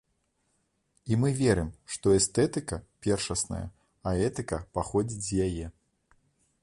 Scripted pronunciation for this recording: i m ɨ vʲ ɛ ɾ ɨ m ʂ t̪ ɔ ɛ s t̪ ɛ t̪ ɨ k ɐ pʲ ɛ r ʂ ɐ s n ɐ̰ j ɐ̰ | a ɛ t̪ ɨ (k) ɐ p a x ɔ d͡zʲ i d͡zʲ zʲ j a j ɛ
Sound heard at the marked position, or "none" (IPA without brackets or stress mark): k